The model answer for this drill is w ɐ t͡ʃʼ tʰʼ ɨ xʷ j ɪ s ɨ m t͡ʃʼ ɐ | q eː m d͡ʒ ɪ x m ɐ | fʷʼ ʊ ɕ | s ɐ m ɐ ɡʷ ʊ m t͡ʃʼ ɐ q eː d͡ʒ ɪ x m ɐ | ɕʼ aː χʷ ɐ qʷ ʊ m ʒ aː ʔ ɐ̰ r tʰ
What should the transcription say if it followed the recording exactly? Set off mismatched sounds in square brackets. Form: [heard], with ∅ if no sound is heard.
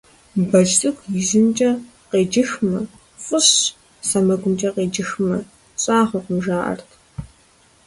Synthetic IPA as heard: [b] ɐ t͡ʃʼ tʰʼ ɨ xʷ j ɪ [z] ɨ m t͡ʃʼ ɐ | q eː [∅] d͡ʒ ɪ x m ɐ | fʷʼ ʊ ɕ | s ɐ m ɐ ɡʷ ʊ m t͡ʃʼ ɐ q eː d͡ʒ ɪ x m ɐ | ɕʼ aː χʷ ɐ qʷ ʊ m ʒ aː ʔ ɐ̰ r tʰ